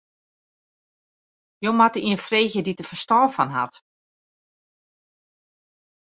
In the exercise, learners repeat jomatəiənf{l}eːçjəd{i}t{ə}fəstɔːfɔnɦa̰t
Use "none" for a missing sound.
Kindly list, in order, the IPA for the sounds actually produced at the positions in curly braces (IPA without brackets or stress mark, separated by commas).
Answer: r, i, ə